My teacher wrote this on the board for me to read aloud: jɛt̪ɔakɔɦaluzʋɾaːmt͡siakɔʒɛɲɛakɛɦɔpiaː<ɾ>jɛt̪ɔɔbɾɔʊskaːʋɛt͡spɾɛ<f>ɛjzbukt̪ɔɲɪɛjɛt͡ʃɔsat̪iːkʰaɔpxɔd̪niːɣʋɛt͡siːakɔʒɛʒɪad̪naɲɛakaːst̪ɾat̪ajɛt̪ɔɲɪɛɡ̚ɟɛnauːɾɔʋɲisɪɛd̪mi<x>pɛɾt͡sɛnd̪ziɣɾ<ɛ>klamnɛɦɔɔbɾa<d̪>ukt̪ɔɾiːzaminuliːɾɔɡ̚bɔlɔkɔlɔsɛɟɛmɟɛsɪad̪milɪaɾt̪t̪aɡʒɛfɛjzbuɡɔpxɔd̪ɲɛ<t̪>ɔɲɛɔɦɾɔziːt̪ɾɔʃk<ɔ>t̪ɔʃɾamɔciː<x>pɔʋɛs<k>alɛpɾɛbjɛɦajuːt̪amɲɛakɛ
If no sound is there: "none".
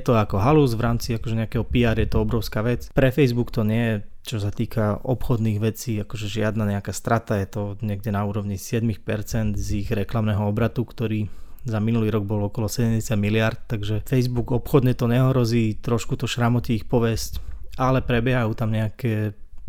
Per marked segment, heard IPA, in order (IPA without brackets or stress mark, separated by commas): ɾ, f, x, ɛ, t̪, t̪, u, x, c